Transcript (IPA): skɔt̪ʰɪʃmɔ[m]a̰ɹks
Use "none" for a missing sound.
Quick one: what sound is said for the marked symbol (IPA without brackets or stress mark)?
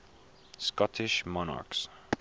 n